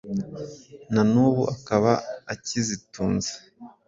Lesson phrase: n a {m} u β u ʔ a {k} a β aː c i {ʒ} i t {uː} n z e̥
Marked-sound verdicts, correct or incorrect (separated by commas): incorrect, correct, incorrect, correct